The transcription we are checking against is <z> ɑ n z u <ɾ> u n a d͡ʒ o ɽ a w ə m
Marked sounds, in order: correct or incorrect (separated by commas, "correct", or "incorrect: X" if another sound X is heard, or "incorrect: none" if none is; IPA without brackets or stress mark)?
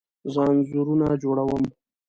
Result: correct, correct